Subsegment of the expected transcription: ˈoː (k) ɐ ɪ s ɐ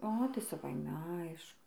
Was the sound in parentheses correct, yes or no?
no